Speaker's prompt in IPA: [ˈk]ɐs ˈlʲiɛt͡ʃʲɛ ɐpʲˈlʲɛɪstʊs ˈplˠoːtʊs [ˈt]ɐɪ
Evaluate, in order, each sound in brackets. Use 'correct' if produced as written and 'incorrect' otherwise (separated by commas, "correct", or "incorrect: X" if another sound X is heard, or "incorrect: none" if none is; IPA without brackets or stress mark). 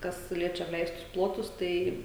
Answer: correct, correct